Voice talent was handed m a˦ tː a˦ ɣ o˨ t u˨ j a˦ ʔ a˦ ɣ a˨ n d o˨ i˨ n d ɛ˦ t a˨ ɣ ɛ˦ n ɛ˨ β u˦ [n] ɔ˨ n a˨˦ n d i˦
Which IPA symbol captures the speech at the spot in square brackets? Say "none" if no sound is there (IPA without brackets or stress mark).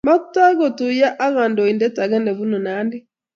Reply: n